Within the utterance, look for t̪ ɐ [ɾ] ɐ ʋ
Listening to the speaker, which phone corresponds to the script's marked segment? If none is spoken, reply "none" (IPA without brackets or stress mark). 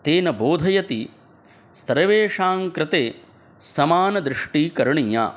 ɾ